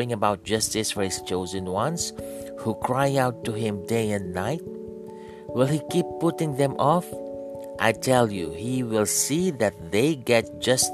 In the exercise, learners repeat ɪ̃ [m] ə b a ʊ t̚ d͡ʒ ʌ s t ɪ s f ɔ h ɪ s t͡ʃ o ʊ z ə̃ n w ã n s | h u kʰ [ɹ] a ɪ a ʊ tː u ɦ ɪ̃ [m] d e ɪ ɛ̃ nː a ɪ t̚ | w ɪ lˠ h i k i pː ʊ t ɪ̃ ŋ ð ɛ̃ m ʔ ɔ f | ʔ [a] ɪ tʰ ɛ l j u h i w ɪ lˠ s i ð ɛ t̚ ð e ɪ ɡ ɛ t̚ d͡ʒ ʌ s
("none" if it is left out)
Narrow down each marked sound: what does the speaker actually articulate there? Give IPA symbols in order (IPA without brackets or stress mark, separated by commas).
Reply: ŋ, ɹ, m, a